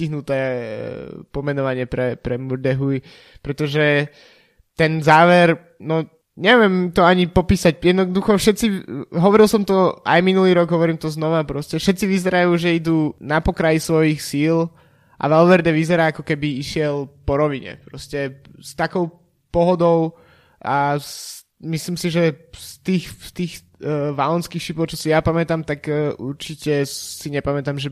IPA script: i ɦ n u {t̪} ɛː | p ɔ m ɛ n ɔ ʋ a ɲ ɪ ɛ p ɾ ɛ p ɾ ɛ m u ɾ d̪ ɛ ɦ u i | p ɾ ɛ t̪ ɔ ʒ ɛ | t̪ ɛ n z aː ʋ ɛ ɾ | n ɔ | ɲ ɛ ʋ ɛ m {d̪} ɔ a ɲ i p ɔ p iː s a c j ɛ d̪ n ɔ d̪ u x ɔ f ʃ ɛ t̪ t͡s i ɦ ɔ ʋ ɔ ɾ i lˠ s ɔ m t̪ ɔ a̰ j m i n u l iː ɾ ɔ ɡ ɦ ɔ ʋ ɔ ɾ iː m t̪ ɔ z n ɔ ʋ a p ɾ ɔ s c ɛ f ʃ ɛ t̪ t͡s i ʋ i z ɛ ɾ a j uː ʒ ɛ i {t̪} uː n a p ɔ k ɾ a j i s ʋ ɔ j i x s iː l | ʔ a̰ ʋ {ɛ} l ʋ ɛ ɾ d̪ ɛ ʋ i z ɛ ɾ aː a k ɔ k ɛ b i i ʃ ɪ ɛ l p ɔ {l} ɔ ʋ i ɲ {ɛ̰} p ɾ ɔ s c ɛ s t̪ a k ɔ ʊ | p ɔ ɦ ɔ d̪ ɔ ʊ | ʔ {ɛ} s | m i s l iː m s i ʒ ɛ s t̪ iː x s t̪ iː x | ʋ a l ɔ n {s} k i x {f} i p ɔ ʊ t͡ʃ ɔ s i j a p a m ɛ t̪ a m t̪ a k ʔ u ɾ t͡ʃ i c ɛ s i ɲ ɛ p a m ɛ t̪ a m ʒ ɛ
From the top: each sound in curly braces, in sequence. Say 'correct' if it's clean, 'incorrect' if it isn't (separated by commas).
correct, incorrect, incorrect, correct, incorrect, correct, incorrect, correct, incorrect